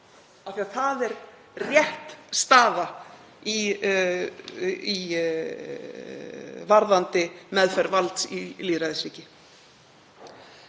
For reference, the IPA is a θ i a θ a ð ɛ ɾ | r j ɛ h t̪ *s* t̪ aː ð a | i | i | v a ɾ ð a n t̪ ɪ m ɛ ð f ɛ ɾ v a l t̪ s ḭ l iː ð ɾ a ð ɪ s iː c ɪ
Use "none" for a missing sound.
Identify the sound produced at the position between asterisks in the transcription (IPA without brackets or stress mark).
s